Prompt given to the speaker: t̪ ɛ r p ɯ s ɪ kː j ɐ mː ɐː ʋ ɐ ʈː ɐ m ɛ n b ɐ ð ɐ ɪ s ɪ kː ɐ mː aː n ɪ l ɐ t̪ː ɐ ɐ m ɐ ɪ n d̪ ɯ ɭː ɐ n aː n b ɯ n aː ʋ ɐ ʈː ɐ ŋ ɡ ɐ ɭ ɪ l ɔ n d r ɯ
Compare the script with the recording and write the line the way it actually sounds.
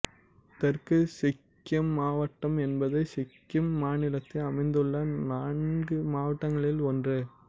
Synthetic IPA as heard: t̪ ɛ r k ɯ s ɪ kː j ɐ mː aː ʋ ɐ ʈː ɐ m ɛ n b ɐ ð ɐ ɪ s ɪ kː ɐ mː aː n ɪ l ɐ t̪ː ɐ ɐ m ɐ ɪ n d̪ ɯ ɭː ɐ n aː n ɡ ɯ m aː ʋ ɐ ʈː ɐ ŋ ɡ ɐ ɭ ɪ l ɔ n d r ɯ